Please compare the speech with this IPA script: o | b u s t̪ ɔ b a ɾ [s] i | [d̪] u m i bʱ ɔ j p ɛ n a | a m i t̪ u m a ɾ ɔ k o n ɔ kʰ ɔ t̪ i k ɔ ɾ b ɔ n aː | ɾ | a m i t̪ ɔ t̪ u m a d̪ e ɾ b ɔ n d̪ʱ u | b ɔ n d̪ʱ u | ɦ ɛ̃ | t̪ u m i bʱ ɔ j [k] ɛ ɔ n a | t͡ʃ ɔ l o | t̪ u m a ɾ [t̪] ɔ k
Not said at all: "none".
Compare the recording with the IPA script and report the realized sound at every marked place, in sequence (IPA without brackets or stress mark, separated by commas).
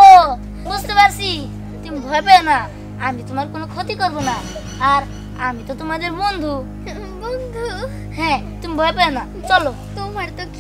s, t̪, p, t̪